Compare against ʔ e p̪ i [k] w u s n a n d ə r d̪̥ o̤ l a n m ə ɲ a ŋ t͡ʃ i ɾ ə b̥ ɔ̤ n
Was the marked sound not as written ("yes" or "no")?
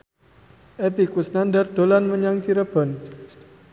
no